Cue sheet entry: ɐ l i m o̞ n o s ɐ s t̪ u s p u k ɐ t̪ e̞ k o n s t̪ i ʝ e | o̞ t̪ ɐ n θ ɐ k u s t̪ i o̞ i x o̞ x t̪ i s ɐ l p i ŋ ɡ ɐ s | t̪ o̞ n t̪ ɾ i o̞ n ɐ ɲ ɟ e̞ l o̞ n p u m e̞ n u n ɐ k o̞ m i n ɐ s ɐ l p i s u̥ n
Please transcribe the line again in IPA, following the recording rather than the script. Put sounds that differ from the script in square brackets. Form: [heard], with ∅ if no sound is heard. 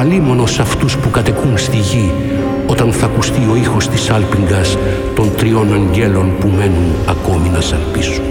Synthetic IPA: ɐ l i m o̞ n o s ɐ [f] t̪ u s p u k ɐ t̪ e̞ k [u] n s t̪ i ʝ [i] | o̞ t̪ ɐ n θ ɐ k u s t̪ i o̞ i x o̞ [s] t̪ i s ɐ l p i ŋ ɡ ɐ s | t̪ o̞ n t̪ ɾ i o̞ n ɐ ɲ ɟ e̞ l o̞ n p u m e̞ n u n ɐ k o̞ m i n ɐ s ɐ l p i s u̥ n